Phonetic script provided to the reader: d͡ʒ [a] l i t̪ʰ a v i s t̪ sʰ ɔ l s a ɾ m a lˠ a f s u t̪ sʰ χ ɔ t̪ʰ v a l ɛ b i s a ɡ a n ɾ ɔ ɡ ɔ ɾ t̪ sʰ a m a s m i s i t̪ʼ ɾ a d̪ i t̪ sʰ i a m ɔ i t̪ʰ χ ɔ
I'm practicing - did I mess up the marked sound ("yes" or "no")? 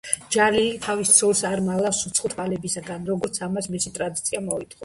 no